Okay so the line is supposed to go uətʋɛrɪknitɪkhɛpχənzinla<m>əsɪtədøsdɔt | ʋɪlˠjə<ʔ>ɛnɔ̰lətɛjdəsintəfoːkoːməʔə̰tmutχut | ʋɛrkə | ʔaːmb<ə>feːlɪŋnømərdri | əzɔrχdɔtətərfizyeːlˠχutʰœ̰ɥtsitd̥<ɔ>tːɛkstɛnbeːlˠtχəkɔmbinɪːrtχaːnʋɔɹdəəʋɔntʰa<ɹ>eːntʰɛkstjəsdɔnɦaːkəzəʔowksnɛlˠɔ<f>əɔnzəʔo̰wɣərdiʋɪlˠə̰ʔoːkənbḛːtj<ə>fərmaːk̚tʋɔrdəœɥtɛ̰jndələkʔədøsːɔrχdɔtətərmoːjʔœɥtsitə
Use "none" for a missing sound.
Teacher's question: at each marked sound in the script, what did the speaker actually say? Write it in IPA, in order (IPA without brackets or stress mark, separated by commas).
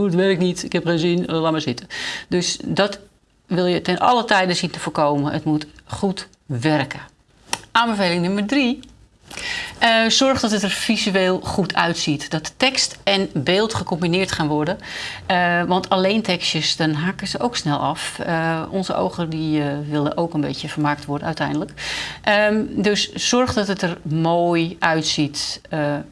m, t, ə, ɔ, l, f, ə